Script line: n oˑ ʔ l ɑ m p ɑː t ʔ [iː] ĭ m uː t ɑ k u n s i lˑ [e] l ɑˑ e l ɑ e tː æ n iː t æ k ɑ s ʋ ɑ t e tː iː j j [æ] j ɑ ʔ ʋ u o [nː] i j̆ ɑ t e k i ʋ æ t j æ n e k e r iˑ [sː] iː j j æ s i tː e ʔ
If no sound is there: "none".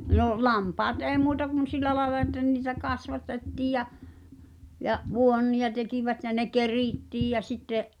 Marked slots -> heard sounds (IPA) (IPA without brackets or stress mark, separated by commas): eː, æ, æ, nː, tː